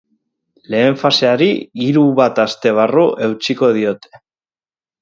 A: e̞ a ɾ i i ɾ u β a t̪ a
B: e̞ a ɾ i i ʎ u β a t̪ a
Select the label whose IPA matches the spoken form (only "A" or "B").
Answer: A